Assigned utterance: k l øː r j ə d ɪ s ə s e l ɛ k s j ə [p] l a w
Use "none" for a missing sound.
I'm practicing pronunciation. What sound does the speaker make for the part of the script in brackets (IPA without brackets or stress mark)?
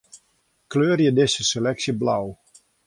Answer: b